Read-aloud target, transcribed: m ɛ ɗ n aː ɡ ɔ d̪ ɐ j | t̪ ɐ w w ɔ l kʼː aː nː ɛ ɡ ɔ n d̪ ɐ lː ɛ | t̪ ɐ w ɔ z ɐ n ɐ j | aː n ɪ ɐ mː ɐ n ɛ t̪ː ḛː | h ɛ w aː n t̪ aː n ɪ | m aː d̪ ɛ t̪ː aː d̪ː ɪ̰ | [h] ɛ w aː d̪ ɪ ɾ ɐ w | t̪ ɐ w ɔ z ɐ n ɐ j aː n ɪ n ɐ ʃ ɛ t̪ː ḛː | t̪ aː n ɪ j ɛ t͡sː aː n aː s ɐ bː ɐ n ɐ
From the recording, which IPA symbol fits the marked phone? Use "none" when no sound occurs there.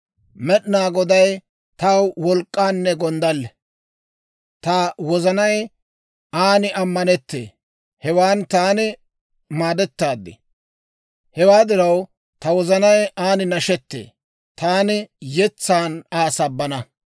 h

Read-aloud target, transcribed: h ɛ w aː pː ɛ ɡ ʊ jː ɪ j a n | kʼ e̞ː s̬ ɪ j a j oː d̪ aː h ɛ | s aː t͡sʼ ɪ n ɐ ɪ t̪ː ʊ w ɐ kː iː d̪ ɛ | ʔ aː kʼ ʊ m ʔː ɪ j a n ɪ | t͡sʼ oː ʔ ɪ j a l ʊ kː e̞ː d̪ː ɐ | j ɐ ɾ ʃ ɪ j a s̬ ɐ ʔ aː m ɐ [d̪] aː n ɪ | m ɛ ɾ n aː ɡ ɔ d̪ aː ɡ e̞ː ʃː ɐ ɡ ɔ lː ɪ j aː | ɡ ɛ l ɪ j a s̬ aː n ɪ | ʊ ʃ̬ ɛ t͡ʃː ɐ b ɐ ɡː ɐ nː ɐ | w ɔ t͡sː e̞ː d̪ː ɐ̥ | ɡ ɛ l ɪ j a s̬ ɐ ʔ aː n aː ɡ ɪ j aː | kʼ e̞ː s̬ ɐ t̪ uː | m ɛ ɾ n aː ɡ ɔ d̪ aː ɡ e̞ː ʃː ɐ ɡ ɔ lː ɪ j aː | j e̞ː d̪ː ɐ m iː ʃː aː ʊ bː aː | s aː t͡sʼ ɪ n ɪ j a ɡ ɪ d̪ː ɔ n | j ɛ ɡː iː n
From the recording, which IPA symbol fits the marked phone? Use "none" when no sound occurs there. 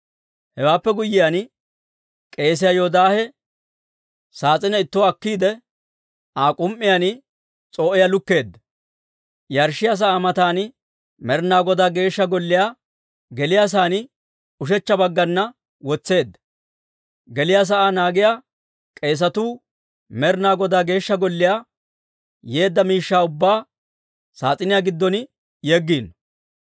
t̪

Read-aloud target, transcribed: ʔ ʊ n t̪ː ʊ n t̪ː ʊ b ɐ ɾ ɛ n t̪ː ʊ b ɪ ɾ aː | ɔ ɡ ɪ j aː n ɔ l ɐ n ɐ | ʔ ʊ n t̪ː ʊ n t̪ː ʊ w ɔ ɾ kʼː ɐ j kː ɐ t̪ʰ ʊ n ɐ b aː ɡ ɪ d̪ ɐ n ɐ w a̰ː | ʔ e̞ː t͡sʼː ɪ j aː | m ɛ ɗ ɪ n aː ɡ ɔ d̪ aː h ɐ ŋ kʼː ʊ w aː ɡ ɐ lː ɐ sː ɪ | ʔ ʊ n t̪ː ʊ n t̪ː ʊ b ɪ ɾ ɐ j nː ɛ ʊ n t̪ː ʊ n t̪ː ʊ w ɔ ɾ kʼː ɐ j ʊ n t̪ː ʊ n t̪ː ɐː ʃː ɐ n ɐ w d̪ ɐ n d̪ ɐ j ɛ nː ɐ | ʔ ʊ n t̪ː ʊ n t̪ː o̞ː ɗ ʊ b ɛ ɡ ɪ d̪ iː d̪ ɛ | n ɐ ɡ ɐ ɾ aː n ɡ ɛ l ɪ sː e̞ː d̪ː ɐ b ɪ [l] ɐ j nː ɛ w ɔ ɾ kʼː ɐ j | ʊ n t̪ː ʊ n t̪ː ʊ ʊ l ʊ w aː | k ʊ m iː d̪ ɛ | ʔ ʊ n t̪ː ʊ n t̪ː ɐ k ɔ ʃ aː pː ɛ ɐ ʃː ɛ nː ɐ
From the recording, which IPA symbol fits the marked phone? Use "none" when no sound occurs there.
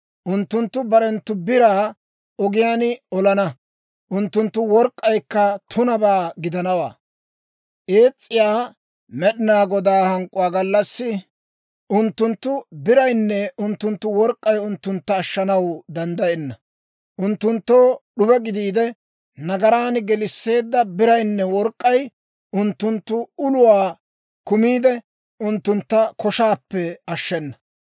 ɾ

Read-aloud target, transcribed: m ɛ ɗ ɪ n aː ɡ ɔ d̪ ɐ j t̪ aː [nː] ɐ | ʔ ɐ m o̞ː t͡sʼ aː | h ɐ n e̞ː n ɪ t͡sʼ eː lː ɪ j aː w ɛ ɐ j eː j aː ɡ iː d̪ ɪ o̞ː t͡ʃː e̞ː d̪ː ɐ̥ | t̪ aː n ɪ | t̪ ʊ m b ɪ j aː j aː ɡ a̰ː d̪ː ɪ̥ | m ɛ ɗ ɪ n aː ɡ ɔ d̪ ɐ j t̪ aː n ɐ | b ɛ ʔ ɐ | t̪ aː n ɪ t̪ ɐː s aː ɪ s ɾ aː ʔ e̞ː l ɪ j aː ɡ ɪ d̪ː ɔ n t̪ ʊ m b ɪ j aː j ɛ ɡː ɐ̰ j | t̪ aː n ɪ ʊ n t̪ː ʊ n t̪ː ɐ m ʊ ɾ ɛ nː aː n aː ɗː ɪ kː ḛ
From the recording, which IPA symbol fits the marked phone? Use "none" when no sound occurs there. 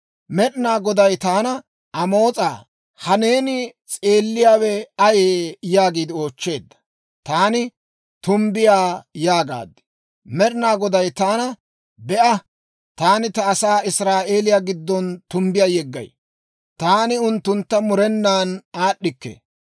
n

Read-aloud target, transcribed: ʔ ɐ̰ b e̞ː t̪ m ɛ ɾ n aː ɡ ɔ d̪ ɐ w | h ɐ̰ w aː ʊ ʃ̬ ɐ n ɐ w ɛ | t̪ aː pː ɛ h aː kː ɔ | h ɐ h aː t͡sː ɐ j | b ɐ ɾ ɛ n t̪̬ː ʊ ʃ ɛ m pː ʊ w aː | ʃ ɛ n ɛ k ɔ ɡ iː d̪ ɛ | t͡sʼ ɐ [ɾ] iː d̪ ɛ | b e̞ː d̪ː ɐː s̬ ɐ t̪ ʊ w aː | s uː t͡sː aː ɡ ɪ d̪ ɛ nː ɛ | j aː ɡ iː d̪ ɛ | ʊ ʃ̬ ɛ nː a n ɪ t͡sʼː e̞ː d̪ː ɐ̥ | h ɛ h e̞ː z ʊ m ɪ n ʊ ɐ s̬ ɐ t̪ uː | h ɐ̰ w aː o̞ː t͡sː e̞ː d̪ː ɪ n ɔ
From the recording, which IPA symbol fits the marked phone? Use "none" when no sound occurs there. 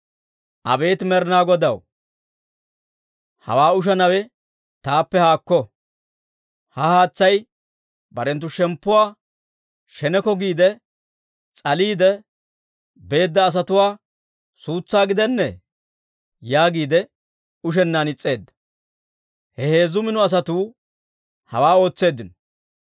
l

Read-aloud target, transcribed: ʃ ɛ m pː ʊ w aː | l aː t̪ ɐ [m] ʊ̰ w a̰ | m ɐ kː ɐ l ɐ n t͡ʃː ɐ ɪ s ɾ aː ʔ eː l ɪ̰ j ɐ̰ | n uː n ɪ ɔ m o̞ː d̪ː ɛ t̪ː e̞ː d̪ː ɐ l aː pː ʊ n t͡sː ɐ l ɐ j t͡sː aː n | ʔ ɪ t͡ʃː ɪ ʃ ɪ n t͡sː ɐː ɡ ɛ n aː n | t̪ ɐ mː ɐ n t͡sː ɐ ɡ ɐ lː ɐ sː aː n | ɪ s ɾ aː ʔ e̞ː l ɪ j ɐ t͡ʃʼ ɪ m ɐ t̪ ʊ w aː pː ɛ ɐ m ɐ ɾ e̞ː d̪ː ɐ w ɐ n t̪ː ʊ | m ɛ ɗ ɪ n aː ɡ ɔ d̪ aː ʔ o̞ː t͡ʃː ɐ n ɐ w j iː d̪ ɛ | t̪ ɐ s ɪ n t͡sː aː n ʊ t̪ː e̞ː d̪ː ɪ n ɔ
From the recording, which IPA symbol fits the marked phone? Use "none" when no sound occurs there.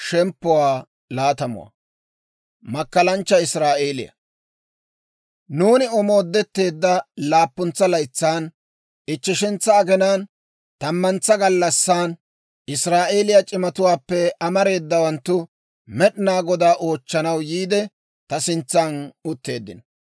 m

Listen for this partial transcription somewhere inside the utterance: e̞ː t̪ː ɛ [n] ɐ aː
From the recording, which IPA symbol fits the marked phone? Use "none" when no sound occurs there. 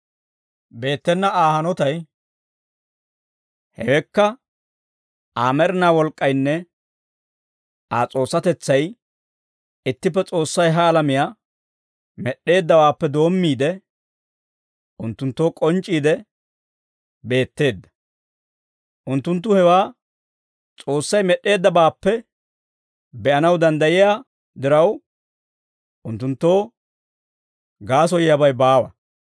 nː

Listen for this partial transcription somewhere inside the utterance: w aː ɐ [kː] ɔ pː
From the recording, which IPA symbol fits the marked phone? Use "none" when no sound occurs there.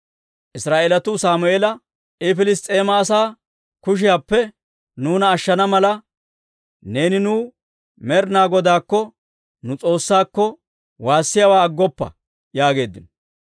ɡː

